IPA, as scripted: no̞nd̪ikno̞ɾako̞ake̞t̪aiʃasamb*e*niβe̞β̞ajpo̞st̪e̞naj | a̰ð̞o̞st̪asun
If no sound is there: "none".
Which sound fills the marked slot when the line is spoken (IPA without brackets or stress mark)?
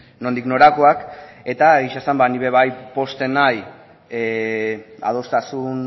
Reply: a